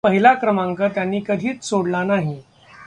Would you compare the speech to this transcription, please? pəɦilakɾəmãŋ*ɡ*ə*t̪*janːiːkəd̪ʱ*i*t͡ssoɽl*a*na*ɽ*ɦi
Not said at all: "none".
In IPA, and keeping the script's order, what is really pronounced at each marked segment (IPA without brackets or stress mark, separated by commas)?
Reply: k, t̪, iː, a, none